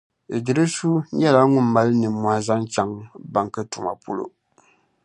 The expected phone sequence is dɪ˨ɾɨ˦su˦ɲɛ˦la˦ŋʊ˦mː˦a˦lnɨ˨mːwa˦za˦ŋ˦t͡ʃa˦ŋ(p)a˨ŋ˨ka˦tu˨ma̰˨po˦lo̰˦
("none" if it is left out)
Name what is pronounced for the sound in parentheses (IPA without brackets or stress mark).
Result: b